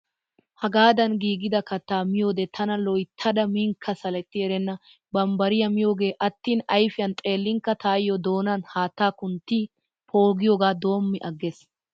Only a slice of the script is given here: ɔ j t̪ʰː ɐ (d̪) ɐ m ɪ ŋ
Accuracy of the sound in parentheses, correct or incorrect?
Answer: correct